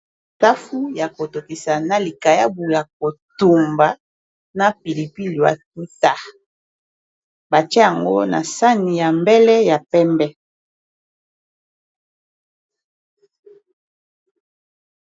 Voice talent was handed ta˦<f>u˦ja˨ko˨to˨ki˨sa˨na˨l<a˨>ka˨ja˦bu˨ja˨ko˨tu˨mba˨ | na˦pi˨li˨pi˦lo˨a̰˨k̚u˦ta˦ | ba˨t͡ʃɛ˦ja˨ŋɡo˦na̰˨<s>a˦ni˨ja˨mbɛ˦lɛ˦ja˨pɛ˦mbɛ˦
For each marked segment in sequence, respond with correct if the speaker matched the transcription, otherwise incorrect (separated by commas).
correct, incorrect, correct